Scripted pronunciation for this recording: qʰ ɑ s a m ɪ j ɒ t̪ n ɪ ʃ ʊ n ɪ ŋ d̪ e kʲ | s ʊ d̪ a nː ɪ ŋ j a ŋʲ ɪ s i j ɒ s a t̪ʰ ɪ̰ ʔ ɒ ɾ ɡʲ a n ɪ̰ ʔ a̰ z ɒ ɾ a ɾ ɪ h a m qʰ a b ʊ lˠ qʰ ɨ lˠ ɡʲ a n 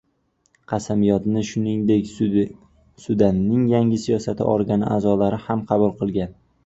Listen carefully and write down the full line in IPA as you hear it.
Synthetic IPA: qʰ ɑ s a m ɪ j ɒ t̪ n ɪ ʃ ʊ n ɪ ŋ d̪ e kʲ | s ʊ d̪ a nː ɪ ŋ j a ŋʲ ɪ s i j ɒ s a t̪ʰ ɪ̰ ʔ ɒ ɾ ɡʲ a n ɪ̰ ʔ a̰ z ɒ l a ɾ ɪ h a m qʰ ɑ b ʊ lˠ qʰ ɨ lˠ ɡʲ a n